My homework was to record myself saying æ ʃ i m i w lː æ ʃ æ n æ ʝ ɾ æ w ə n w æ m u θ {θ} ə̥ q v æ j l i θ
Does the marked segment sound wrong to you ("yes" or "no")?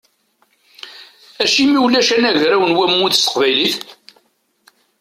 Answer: yes